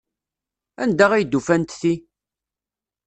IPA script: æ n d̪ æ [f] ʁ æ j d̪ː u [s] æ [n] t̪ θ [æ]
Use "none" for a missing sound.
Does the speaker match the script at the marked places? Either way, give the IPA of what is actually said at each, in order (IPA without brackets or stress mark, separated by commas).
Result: none, f, n, i